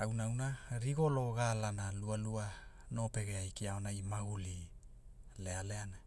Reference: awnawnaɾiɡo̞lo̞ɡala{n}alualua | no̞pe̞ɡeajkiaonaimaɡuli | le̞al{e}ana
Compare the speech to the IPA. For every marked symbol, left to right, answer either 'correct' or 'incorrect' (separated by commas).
correct, correct